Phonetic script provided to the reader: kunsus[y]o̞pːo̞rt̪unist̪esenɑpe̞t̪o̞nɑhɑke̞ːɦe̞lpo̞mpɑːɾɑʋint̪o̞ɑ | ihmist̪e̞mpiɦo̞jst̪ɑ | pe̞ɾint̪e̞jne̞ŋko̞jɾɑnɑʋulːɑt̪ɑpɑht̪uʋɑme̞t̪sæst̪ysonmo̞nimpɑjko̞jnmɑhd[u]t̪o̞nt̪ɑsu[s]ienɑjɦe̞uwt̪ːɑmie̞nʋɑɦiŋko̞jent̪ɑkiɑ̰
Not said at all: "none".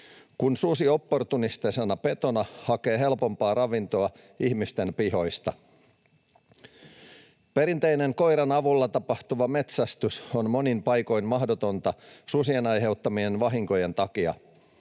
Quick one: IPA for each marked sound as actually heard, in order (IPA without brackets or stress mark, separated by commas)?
i, o, s